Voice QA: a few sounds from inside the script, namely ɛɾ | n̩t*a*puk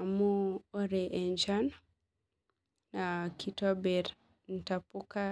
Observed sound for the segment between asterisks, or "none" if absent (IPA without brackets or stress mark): a